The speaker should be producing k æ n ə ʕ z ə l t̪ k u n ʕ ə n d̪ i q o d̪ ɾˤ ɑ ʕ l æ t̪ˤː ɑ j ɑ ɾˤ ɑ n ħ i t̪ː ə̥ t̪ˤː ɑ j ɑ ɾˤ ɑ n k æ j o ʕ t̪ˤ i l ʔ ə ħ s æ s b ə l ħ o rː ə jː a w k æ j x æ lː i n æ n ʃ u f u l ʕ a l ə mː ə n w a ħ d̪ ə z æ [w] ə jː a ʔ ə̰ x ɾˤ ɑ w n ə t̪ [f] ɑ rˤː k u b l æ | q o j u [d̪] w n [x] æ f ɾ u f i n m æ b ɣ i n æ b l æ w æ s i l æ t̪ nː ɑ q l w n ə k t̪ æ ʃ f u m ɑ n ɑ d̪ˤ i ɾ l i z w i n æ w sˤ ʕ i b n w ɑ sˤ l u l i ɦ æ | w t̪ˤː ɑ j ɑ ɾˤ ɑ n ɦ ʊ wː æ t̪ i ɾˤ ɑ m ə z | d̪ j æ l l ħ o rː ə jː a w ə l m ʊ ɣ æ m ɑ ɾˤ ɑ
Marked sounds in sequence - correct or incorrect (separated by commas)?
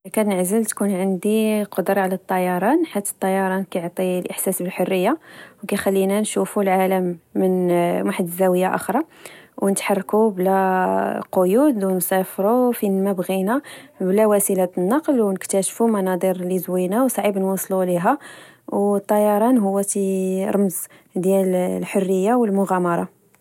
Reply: correct, incorrect, correct, incorrect